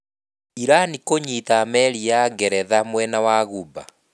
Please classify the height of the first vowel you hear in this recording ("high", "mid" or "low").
high